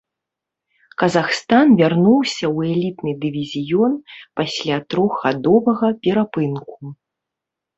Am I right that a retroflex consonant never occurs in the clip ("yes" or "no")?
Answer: yes